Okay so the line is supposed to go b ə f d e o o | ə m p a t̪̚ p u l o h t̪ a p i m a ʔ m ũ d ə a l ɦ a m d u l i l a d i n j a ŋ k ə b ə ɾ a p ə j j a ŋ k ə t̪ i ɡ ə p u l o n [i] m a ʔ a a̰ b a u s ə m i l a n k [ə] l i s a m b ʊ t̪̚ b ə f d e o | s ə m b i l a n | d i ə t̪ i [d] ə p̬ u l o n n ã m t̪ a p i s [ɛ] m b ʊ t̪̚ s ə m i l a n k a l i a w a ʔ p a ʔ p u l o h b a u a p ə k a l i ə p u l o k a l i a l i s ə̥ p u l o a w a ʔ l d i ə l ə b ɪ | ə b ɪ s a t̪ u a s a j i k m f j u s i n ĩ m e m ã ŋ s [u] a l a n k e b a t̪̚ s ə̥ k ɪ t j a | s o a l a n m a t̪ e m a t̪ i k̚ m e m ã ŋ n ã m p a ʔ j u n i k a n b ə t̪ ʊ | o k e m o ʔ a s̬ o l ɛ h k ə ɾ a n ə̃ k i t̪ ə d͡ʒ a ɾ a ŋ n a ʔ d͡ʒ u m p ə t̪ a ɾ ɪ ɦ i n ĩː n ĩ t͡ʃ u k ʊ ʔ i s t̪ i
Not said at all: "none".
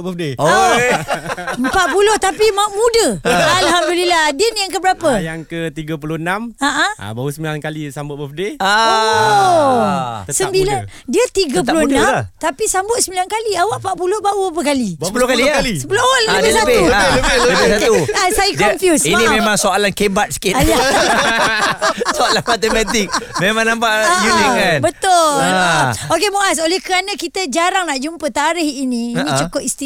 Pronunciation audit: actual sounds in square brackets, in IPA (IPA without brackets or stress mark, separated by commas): a, a, ɡ, a, o